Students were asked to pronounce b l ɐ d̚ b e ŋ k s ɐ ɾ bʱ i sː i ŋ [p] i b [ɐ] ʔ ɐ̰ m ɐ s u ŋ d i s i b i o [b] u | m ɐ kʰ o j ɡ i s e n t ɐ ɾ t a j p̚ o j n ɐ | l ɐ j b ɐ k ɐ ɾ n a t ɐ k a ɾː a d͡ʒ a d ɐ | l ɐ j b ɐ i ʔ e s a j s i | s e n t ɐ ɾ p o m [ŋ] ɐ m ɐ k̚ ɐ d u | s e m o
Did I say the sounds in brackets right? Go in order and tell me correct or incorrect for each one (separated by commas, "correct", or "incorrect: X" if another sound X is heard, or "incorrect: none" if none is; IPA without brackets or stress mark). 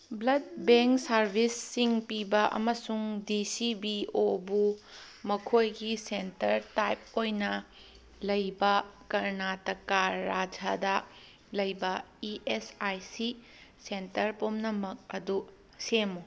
correct, correct, correct, incorrect: n